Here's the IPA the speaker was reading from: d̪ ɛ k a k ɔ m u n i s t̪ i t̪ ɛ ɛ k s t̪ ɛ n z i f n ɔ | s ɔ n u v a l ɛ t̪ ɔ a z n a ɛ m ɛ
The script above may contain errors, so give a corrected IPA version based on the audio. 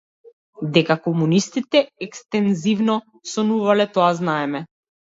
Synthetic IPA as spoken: d̪ ɛ k a k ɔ m u n i s t̪ i t̪ ɛ ɛ k s t̪ ɛ n z i v n ɔ | s ɔ n u v a l ɛ t̪ ɔ a z n a ɛ m ɛ